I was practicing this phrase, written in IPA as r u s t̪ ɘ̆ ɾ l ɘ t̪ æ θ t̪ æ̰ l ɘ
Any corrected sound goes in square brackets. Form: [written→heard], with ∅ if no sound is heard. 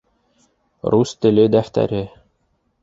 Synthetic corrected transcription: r u s t̪ ɘ̆ [ɾ→∅] l ɘ [t̪→d̪] æ [θ→f] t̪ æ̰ [l→ɾ] ɘ